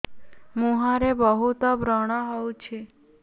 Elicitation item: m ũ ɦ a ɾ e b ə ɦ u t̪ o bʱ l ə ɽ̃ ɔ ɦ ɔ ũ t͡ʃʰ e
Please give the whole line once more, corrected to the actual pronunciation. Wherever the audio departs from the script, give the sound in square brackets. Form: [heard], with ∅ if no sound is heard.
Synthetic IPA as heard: m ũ ɦ a ɾ e b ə ɦ u t̪ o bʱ [ɾ] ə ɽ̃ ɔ ɦ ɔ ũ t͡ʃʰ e